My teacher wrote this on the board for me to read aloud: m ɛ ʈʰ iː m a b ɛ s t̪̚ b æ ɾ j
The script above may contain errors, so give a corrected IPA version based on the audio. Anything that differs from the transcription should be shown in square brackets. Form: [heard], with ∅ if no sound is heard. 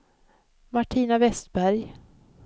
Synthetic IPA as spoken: m [a] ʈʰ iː [n] a [v] ɛ s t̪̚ b æ ɾ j